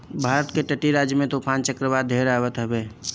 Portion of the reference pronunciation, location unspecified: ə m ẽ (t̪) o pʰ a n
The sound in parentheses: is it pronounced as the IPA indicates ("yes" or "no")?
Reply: yes